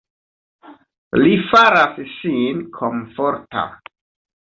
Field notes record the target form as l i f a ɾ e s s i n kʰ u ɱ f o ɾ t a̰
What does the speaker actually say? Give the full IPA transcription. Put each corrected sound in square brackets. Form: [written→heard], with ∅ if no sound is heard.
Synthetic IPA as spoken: l i f a ɾ [e→a] s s i n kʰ [u→o] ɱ f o ɾ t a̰